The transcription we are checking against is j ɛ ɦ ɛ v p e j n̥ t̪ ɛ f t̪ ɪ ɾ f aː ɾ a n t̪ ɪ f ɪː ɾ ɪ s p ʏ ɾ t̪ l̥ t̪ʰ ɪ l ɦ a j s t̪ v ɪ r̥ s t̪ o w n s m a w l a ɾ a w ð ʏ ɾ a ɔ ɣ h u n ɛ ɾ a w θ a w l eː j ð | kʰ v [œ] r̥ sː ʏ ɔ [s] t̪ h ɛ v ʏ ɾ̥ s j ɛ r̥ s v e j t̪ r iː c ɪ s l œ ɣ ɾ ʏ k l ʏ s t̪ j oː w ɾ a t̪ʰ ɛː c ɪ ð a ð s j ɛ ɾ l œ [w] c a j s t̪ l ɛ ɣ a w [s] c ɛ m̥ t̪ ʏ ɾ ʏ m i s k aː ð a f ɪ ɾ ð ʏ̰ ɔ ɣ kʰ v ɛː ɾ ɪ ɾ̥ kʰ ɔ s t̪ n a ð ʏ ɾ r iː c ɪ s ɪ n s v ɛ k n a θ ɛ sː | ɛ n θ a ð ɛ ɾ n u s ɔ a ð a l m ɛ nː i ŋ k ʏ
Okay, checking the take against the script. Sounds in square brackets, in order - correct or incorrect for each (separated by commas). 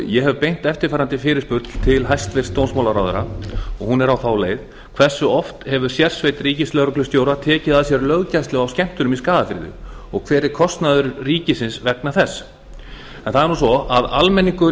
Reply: incorrect, incorrect, incorrect, correct